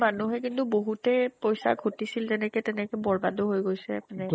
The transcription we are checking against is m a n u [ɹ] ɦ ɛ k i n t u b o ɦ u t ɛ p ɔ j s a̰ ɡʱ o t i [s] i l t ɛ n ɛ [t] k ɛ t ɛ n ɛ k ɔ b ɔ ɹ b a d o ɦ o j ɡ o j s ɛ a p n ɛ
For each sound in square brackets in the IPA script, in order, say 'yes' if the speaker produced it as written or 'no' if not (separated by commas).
no, yes, yes